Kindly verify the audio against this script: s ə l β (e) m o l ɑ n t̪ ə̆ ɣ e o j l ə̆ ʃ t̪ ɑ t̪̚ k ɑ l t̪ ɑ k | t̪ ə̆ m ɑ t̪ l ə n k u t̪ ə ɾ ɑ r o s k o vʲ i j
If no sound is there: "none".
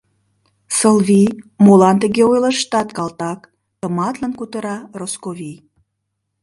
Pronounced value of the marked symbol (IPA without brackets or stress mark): i